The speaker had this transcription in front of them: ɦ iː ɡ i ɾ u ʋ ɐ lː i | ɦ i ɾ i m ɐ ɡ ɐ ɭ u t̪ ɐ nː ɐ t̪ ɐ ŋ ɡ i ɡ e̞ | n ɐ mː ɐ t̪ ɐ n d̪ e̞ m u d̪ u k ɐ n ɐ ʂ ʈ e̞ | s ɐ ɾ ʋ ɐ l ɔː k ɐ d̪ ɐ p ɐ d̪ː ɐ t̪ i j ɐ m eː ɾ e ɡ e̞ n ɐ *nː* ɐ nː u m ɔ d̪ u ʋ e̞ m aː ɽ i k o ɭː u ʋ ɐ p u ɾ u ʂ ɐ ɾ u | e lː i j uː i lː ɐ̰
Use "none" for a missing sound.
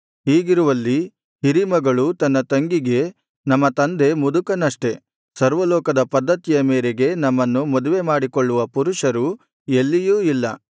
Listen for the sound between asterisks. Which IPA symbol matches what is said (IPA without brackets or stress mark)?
mː